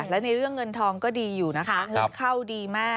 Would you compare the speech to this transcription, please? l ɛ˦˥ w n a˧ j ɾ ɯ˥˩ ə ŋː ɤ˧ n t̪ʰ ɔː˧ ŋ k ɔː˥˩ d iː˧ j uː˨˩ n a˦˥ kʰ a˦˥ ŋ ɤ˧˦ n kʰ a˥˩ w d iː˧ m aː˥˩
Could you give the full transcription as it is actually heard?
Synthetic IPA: l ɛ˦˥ w n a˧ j ɾ ɯ˥˩ ə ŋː ɤ˧ n t̪ʰ ɔː˧ ŋ k ɔː˥˩ d iː˧ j uː˨˩ n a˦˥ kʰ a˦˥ ŋ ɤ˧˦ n kʰ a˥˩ w d iː˧ m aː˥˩

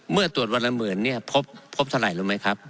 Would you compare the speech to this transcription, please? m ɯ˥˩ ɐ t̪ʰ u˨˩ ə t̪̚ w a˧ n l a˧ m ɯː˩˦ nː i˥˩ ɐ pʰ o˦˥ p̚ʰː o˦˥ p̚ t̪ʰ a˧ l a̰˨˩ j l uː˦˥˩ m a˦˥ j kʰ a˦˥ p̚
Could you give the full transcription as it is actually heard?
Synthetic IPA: m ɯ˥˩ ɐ t̪ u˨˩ ə t̪̚ w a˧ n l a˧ m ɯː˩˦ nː i˥˩ ɐ pʰ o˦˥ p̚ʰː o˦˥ p̚ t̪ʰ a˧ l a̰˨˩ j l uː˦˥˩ m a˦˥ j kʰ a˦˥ p̚

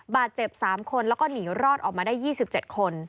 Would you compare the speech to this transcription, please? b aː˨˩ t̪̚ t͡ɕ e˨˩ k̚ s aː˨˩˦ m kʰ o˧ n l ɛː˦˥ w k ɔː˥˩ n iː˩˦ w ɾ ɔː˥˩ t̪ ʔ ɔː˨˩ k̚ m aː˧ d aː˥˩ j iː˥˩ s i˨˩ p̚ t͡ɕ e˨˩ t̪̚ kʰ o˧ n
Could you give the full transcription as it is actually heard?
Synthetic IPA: b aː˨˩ t̪̚ t͡ɕ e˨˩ p̚ s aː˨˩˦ m kʰ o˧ n l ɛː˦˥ w k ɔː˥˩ n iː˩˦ w ɾ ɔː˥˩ t̪ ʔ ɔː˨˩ k̚ m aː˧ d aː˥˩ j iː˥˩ s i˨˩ p̚ t͡ɕ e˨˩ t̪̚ kʰ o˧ n

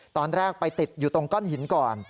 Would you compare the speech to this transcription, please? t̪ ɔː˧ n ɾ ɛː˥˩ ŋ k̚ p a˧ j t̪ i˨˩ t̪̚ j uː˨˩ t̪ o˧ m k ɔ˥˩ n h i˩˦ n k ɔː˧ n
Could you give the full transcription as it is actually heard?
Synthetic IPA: t̪ ɔː˧ n ɾ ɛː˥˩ k̚ p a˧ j t̪ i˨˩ t̪̚ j uː˨˩ t̪ o˧ ŋ k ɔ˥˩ n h i˩˦ n k ɔː˨˩ n

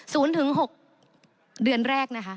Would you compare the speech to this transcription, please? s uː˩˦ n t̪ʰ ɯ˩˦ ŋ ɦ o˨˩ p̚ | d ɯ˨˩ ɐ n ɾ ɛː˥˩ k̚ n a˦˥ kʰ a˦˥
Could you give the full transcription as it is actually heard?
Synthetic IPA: s uː˩˦ n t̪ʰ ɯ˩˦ ŋ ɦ o˨˩ k̚ | d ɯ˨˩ ə n ɾ ɛː˥˩ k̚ n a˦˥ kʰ a˦˥

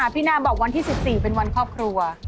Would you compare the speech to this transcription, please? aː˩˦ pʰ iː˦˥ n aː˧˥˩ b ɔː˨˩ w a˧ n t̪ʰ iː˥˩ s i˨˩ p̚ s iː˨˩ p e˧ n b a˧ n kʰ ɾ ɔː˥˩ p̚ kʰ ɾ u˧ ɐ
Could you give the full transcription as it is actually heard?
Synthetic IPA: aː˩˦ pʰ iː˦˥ n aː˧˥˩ b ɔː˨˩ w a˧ n t̪ʰ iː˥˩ s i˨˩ p̚ s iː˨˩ p e˧ n w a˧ n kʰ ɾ ɔː˥˩ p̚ kʰ ɾ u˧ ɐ

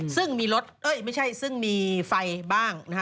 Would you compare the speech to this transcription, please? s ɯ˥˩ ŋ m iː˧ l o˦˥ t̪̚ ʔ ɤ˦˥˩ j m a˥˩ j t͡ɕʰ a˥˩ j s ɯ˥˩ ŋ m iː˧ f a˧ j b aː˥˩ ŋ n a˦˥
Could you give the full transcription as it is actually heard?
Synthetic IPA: s ɯ˥˩ ŋ m iː˧ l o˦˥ t̪̚ ʔ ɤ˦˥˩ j m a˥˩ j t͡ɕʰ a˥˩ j s ɯ˥˩ ŋ m iː˧ f a˧ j b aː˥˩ ŋ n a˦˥

